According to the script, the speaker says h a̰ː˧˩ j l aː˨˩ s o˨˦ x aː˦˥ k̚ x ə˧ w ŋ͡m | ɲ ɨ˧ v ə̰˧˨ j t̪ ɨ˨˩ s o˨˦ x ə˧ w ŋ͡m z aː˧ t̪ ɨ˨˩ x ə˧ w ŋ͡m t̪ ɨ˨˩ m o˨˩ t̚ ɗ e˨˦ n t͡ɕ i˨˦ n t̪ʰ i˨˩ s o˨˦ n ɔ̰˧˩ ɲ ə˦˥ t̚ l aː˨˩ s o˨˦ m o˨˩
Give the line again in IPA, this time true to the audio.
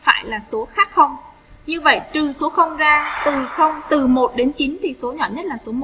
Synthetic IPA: f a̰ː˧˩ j l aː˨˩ s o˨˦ x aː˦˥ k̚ x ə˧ w ŋ͡m | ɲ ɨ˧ v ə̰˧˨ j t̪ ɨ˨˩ s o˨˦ x ə˧ w ŋ͡m z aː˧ t̪ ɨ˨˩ x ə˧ w ŋ͡m t̪ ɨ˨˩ m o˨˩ t̚ ɗ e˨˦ n t͡ɕ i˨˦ n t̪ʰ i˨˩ s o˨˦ ɲ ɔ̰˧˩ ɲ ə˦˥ t̚ l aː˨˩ s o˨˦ m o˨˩